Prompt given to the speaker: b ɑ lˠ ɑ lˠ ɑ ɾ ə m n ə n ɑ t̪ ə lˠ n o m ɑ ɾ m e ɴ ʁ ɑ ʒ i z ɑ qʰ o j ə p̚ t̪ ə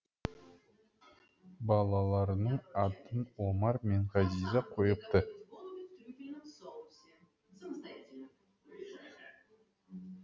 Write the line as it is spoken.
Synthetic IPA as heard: b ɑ lˠ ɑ lˠ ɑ ɾ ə n ə ɴ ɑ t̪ ə n o m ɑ ɾ m e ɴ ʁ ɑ z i z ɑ qʰ o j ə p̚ t̪ ə